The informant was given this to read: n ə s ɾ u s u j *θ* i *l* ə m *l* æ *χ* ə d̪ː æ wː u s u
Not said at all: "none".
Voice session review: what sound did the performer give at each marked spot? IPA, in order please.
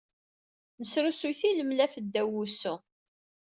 θ, l, l, f

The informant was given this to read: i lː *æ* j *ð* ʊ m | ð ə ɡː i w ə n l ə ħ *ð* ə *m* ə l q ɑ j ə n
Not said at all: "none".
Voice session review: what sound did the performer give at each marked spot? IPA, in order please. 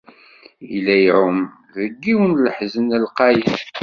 æ, ʕ, z, n

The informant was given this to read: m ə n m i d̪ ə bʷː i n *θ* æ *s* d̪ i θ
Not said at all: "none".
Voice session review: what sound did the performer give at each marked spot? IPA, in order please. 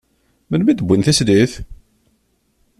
θ, s

